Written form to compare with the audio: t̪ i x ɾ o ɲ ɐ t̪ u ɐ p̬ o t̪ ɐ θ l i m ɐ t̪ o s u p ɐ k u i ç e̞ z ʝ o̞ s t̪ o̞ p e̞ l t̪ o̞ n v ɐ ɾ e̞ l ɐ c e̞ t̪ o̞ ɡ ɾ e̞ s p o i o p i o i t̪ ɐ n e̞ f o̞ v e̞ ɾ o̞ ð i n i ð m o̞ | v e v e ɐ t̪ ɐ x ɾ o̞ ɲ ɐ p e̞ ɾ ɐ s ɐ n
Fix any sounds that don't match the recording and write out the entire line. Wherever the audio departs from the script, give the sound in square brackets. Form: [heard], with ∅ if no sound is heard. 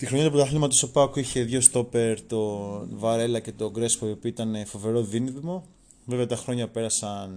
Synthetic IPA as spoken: t̪ i x ɾ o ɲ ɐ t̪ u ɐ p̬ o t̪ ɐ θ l i m ɐ t̪ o s [o] p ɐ k u i ç e̞ [ð] ʝ o̞ s t̪ o̞ p e̞ [ɾ] t̪ o̞ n v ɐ ɾ e̞ l ɐ c e̞ t̪ o̞ ɡ ɾ e̞ s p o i o p i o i t̪ ɐ n e̞ f o̞ v e̞ ɾ o̞ ð i n i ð m o̞ | v e v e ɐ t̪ ɐ x ɾ o̞ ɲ ɐ p e̞ ɾ ɐ s ɐ n